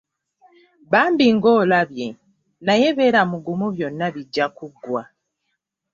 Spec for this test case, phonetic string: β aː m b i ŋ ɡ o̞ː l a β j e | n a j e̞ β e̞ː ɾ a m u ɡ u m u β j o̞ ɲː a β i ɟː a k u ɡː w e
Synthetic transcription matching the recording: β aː m b i ŋ ɡ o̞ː l a β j e | n a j e̞ β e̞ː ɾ a m u ɡ u m u β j o̞ nː a β i ɟː a k u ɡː w a

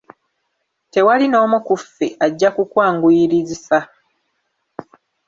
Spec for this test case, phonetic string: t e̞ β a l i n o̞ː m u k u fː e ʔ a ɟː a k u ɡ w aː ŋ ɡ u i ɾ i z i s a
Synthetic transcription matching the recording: t e̞ w a l i n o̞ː m u k u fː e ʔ a ɟː a k u k w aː ŋ ɡ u i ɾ i z i s a

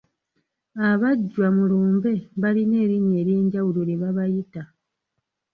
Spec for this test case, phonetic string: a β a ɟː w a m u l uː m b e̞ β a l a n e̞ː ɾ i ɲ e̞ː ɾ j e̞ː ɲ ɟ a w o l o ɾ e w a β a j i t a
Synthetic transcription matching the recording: a β a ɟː w a m u l uː m b e̞ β a l i n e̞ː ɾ i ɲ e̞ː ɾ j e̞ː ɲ ɟ a w u l o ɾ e β a β a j i t a

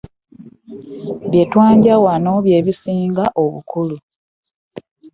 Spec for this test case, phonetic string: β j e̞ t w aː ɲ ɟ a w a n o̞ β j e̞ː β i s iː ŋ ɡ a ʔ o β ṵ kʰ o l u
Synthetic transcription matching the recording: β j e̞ t w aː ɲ ɟ a w a n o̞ β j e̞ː β i s iː ŋ ɡ a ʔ o β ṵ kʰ u l u

